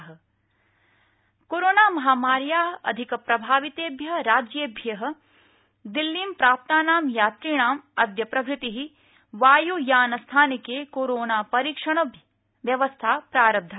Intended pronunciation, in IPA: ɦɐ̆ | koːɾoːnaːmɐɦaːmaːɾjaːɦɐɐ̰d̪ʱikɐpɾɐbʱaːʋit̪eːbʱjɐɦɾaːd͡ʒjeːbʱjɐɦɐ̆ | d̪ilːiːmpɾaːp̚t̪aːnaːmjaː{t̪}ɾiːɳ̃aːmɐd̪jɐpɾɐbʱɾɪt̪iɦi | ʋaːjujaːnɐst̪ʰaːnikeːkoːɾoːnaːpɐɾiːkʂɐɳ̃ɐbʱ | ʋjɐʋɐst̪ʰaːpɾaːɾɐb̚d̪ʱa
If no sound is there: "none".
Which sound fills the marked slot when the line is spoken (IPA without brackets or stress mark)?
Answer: t̪